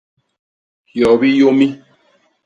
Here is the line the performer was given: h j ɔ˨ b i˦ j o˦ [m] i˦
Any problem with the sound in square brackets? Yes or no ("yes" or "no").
no